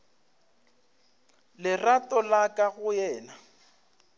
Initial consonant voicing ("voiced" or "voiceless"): voiced